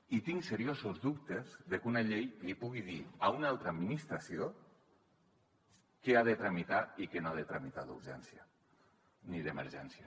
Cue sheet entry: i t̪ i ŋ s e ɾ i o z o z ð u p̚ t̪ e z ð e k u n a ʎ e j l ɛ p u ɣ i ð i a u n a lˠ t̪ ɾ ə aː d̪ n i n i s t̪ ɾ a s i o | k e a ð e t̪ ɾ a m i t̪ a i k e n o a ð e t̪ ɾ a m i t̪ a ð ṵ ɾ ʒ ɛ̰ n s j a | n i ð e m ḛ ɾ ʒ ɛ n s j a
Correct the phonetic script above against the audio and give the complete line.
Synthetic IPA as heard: i t̪ i ŋ s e ɾ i o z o z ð u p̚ t̪ e z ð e k u n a ʎ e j l i p u ɣ i ð i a u n a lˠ t̪ ɾ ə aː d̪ m i n i s t̪ ɾ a s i o | k e a ð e t̪ ɾ a m i t̪ a i k e n o a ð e t̪ ɾ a m i t̪ a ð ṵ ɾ ʒ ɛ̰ n s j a | n i ð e m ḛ ɾ ʒ ɛ n s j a